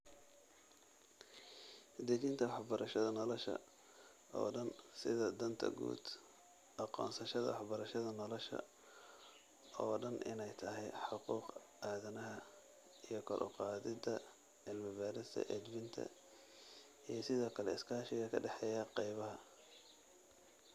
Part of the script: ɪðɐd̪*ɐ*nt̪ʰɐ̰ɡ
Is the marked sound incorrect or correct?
correct